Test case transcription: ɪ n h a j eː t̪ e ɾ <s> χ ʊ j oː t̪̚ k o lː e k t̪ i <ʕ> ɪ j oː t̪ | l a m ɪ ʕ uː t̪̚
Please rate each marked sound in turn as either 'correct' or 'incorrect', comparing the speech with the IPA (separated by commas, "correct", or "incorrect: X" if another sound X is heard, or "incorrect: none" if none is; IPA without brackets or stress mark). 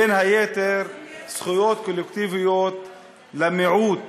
correct, incorrect: v